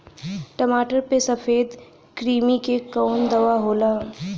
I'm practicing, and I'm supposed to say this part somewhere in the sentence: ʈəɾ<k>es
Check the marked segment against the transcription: incorrect: p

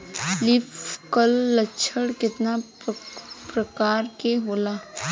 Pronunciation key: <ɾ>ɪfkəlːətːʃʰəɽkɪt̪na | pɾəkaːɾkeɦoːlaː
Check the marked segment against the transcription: incorrect: l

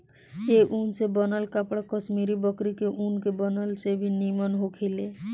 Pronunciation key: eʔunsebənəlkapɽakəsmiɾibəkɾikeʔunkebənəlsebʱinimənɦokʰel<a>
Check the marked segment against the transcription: incorrect: e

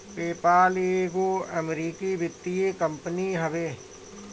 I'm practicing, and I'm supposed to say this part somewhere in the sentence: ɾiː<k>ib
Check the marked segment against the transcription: correct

